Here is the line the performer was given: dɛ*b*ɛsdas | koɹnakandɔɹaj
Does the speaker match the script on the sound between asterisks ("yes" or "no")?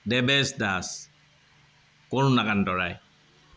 yes